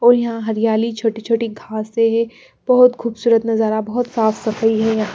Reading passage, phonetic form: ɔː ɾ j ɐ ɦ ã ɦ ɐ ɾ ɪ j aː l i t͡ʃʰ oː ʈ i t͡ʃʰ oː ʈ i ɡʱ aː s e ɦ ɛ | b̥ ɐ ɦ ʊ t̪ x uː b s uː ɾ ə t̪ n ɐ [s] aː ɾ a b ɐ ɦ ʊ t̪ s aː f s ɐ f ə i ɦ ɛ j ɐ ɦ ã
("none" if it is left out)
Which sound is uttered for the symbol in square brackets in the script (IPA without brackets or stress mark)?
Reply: z